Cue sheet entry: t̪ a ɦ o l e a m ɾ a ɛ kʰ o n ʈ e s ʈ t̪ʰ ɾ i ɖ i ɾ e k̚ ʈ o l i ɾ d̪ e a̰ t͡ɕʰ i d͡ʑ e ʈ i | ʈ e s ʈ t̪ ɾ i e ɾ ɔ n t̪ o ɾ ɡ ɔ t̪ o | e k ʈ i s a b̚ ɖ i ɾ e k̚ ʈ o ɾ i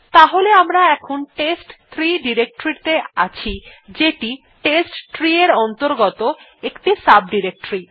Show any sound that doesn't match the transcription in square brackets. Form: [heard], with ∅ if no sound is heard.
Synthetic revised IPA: t̪ a ɦ o l e a m ɾ a ɛ kʰ o n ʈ e s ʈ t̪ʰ ɾ i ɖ i ɾ e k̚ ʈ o [ɾ] i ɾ [t̪] e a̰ t͡ɕʰ i d͡ʑ e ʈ i | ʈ e s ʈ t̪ ɾ i e ɾ ɔ n t̪ o ɾ ɡ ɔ t̪ o | e k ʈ i s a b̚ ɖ i ɾ e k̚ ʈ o ɾ i